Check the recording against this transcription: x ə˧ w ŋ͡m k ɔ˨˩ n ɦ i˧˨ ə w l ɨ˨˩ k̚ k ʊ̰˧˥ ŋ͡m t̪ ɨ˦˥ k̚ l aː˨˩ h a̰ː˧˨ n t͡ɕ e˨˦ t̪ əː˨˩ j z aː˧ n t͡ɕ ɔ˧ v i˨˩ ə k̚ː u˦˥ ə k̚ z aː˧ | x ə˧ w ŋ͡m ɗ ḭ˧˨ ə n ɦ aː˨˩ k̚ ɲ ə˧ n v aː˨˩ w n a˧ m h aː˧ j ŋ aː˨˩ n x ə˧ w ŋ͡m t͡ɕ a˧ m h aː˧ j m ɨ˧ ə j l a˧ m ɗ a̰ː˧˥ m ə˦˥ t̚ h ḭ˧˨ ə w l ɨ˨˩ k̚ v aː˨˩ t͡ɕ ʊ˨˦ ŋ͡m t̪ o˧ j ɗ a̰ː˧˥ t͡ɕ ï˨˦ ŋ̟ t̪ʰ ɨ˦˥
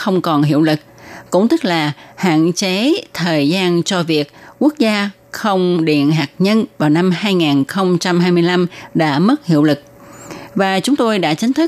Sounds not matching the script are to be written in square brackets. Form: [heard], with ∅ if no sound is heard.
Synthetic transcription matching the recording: x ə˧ w ŋ͡m k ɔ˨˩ n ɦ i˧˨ ə w l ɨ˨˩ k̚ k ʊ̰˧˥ ŋ͡m t̪ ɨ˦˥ k̚ l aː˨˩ h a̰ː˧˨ n t͡ɕ e˨˦ [t̪ʰ] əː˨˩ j z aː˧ n t͡ɕ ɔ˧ v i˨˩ ə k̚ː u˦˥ ə k̚ z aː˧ | x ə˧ w ŋ͡m ɗ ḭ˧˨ ə n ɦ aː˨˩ k̚ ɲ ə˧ n v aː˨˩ w n a˧ m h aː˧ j ŋ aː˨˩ n x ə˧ w ŋ͡m t͡ɕ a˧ m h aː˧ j m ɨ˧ ə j l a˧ m ɗ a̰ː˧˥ m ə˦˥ t̚ h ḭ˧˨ ə w l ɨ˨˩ k̚ v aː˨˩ t͡ɕ ʊ˨˦ ŋ͡m t̪ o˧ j ɗ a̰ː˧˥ t͡ɕ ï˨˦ ŋ̟ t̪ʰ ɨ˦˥